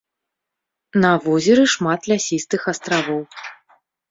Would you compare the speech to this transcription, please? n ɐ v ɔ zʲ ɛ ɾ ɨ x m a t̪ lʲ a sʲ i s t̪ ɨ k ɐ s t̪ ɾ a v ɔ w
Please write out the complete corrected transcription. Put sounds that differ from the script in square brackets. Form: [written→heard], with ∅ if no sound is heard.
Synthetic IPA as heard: n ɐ v ɔ zʲ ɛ ɾ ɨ [x→ʂ] m a t̪ lʲ a sʲ i s t̪ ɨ [k→x] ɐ s t̪ ɾ a v ɔ w

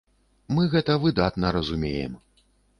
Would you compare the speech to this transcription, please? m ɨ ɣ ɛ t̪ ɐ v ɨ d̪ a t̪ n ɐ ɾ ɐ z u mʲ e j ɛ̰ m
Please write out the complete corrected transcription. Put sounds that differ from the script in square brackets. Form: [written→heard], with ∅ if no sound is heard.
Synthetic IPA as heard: m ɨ ɣ ɛ t̪ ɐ v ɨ d̪ a t̪ n ɐ ɾ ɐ z u mʲ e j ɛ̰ m

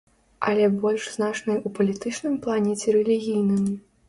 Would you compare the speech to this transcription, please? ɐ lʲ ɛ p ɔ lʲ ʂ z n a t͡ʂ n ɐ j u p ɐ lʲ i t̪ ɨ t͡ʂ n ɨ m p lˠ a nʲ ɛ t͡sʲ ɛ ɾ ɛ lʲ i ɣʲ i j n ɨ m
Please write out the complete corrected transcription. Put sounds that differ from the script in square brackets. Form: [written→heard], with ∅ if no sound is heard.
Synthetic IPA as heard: ɐ lʲ ɛ [p→b] ɔ lʲ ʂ z n a t͡ʂ n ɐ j u p ɐ lʲ i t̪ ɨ t͡ʂ n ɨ m p lˠ a nʲ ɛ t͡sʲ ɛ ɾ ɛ lʲ i ɣʲ i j n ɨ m

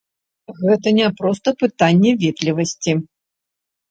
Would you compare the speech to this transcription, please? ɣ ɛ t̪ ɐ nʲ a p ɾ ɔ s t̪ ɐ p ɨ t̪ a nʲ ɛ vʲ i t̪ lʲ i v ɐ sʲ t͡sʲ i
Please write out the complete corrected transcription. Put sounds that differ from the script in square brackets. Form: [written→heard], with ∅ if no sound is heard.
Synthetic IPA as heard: ɣ ɛ t̪ ɐ nʲ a p ɾ ɔ s t̪ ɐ p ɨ t̪ a [nʲ→nʲː] ɛ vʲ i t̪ lʲ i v ɐ sʲ t͡sʲ i

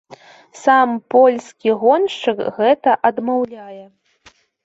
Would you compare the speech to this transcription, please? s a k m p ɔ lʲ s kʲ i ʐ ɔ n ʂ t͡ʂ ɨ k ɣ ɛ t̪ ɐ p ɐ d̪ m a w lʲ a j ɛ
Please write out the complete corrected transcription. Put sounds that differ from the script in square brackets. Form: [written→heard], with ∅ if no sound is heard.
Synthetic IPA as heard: s a [k→∅] m p ɔ lʲ s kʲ i [ʐ→ɣ] ɔ n ʂ t͡ʂ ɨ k ɣ ɛ t̪ ɐ [p→ʔ] ɐ d̪ m a w lʲ a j ɛ

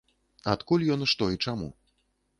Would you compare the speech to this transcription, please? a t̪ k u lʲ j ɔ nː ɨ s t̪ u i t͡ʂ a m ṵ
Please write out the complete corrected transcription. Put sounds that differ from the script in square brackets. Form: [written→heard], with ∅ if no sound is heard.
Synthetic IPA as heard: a t̪ k u lʲ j ɔ [nː→n] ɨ [s→ʂ] t̪ [u→ɔ] i t͡ʂ a m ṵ

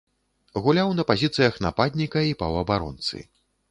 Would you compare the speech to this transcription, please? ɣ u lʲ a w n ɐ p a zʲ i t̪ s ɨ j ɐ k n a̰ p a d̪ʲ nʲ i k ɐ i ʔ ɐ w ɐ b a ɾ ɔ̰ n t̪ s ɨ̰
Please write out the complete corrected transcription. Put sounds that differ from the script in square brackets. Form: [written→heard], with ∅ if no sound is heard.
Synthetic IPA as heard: ɣ u lʲ a w n ɐ p a zʲ i t̪ s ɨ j ɐ [k→x] n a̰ p a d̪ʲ nʲ i k ɐ i [ʔ→p] ɐ w ɐ b a ɾ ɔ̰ n t̪ s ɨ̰

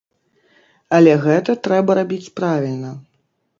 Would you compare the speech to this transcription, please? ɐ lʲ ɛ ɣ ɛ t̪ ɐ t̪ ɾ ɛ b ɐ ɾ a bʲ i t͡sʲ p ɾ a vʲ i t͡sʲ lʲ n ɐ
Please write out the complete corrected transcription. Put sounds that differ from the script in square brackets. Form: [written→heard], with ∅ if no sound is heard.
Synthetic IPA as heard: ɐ lʲ ɛ ɣ ɛ t̪ ɐ t̪ ɾ ɛ b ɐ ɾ a bʲ i t͡sʲ p ɾ a vʲ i [t͡sʲ→∅] lʲ n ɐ

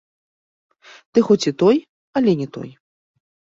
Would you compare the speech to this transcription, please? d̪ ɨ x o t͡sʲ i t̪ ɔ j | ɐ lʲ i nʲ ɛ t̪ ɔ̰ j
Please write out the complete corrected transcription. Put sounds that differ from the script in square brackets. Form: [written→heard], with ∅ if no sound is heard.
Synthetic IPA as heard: [d̪→t̪] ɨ x [o→ɔ] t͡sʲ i t̪ ɔ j | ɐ lʲ [i→ɛ] nʲ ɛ t̪ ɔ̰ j

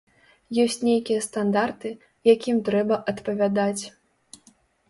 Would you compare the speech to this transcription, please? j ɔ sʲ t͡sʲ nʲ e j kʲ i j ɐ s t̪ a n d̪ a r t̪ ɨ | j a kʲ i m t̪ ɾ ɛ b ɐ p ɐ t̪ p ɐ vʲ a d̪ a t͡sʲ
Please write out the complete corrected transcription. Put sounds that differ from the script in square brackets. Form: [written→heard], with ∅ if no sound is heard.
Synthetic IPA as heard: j ɔ sʲ t͡sʲ nʲ e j kʲ i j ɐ s t̪ a n d̪ a r t̪ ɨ | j a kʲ i m t̪ ɾ ɛ b ɐ [p→ʔ] ɐ t̪ p ɐ vʲ a d̪ a t͡sʲ

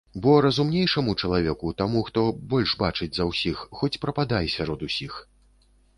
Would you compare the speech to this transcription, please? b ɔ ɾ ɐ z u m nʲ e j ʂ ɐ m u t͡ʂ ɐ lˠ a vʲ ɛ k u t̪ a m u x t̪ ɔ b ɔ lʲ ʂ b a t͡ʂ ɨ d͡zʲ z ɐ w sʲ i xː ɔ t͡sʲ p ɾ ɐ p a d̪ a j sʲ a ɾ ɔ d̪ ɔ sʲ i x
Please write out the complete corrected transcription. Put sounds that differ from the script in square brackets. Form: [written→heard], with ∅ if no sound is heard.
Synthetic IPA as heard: b ɔ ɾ ɐ z u m nʲ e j ʂ ɐ m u t͡ʂ ɐ lˠ a vʲ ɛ k u t̪ a m u x t̪ ɔ b ɔ lʲ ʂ b a t͡ʂ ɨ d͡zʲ z ɐ w sʲ i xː ɔ t͡sʲ p ɾ ɐ p a d̪ a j sʲ a ɾ ɔ d̪ [ɔ→u] sʲ i x

